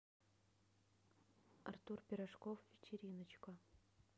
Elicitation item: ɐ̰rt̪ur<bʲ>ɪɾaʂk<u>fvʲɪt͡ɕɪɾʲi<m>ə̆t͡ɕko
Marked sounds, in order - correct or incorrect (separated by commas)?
incorrect, incorrect, incorrect